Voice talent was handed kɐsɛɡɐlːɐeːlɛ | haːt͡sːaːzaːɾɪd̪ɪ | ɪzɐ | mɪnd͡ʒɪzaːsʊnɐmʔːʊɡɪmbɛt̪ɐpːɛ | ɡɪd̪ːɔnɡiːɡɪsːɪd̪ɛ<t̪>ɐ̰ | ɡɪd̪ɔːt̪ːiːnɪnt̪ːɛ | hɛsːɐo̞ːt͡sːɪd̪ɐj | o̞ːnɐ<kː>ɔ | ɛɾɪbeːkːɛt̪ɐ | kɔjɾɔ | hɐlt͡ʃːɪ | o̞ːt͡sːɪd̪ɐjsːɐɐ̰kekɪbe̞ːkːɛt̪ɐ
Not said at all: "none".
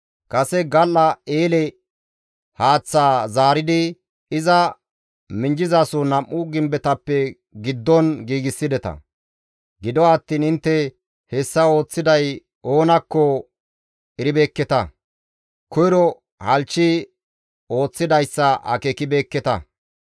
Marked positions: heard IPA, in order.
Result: t̪, kː

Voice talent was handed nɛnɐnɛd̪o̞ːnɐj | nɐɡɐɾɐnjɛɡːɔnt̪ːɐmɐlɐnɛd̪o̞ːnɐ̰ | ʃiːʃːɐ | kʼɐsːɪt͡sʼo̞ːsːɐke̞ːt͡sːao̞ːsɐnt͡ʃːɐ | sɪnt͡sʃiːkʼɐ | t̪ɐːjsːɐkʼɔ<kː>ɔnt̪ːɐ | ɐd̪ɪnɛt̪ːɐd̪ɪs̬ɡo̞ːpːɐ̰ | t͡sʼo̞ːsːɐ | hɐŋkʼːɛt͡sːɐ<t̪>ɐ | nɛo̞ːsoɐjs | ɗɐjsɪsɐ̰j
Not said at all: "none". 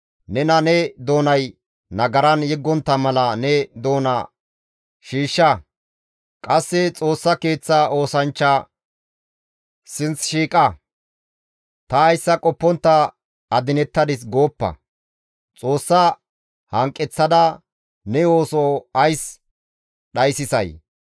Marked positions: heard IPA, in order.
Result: pː, d̪

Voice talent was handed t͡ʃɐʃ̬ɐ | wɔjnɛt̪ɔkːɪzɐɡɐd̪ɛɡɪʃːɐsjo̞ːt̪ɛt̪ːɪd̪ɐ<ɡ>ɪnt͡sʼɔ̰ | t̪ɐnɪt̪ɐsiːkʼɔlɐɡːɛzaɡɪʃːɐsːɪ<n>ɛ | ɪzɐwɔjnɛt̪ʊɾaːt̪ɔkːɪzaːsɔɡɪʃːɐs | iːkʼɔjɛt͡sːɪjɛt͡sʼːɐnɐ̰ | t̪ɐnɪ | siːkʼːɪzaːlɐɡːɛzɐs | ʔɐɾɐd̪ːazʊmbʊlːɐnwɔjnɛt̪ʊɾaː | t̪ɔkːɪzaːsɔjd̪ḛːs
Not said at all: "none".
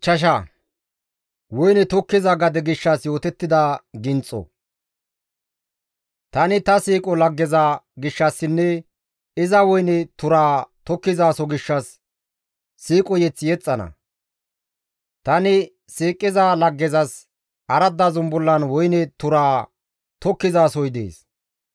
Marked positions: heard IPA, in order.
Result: ɡ, nː

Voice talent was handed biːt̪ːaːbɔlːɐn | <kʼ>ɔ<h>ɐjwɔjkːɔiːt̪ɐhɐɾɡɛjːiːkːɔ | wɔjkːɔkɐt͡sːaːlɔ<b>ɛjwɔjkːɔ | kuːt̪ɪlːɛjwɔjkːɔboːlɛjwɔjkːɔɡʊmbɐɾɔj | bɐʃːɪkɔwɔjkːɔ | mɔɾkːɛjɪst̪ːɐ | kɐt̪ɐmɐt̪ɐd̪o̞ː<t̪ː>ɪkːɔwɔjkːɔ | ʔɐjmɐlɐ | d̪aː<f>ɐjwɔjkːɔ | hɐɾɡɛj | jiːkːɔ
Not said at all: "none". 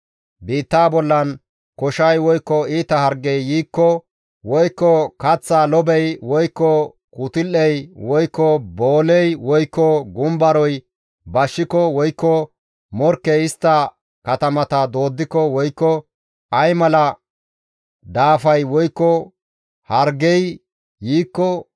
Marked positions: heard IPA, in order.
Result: k, ʃ, b, d̪ː, f

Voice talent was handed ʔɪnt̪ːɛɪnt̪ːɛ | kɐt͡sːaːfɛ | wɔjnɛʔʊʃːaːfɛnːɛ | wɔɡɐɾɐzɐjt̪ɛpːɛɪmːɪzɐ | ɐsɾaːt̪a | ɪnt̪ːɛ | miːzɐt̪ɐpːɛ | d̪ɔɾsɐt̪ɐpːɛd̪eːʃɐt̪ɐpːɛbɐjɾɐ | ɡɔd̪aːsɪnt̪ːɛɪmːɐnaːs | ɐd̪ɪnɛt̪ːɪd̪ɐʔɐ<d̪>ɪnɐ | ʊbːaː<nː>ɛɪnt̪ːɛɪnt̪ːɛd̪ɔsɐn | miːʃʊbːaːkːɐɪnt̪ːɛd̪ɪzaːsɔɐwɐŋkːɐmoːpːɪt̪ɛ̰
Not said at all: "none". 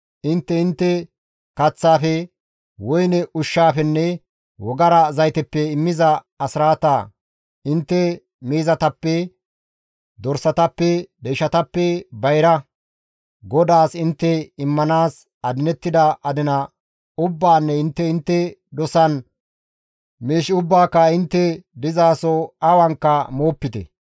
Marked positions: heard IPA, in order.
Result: d̪, nː

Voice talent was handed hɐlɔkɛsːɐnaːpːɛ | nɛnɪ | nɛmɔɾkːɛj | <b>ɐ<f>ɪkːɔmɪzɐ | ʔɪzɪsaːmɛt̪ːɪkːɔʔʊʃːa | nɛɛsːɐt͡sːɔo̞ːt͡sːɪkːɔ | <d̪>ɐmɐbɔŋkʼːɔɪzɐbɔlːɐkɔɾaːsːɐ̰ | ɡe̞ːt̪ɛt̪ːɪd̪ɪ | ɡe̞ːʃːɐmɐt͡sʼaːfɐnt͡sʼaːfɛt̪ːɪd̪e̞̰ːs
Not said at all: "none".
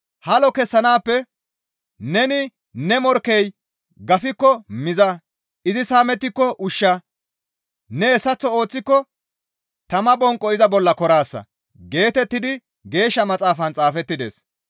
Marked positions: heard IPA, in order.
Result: ɡ, f, t̪

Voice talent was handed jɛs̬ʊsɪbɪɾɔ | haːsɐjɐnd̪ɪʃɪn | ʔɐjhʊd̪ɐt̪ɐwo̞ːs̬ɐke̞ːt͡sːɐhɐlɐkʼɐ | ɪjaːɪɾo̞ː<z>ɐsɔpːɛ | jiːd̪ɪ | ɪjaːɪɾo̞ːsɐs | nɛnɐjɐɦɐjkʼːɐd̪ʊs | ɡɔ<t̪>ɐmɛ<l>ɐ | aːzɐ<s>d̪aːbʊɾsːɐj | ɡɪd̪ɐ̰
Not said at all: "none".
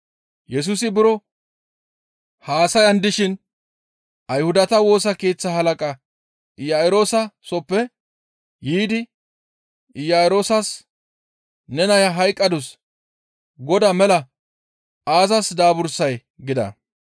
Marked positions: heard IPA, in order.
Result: s, d̪, l, s

